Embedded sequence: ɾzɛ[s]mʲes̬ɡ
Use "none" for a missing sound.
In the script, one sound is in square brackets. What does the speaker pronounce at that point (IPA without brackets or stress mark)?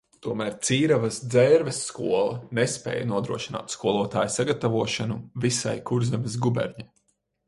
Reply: none